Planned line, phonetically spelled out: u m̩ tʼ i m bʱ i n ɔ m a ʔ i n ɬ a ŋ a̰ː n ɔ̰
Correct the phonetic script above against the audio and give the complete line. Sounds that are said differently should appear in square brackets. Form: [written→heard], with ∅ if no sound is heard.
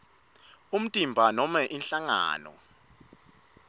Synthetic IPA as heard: u m̩ tʼ i m bʱ [i→a] n ɔ m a ʔ i n ɬ a ŋ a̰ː n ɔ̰